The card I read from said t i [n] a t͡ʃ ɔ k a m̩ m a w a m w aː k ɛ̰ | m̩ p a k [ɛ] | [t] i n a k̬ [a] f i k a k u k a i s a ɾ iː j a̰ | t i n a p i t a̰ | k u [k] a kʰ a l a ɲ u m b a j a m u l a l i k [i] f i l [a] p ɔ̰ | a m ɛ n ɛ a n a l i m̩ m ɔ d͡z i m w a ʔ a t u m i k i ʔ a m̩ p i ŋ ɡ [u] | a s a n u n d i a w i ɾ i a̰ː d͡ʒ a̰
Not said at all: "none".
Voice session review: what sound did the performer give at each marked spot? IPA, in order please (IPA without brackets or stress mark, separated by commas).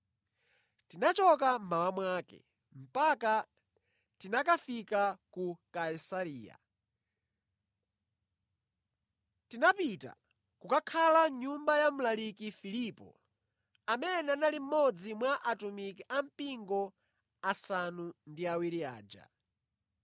n, a, t, a, k, i, i, ɔ